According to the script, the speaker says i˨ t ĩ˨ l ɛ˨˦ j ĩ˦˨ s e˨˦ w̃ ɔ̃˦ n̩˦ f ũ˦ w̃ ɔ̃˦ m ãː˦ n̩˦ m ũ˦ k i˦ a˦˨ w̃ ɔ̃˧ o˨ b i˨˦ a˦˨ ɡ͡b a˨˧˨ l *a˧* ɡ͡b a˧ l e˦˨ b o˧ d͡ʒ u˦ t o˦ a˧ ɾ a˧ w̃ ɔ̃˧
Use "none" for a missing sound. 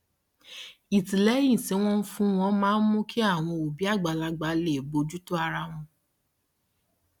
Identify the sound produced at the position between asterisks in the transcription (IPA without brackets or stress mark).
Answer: a˧